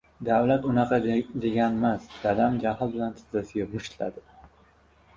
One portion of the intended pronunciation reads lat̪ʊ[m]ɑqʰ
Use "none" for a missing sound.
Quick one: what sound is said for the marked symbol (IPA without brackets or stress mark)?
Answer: n